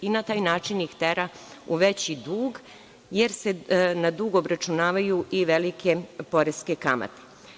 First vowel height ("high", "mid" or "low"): high